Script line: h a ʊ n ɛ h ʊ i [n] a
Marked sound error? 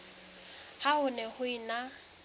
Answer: no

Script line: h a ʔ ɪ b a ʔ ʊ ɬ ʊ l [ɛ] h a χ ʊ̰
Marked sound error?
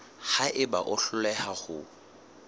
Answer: no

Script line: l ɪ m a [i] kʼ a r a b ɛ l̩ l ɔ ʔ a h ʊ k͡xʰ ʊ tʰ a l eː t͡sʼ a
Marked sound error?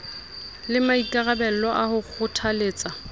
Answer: no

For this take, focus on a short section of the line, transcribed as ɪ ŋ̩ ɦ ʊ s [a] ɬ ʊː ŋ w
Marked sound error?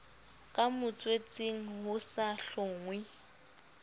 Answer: no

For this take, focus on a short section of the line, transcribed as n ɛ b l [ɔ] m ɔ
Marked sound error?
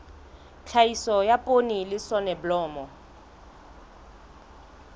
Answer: yes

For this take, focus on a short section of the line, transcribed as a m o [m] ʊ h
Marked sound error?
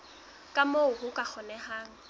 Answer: yes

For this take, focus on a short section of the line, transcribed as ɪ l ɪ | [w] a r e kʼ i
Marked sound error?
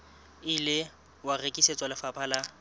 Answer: no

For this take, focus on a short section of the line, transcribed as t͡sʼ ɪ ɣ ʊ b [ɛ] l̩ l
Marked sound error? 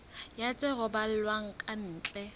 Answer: yes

